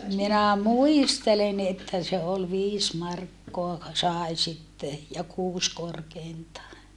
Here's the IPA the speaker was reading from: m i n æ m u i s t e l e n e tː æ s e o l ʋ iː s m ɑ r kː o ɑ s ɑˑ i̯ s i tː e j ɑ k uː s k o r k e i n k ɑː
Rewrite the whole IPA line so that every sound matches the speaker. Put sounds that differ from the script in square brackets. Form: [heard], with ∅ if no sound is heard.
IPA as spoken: m i n æ m u i s t e l e n e tː æ s e o l ʋ iː s m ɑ r kː o ɑ s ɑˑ i̯ s i tː e j ɑ k uː s k o r k e i n [t] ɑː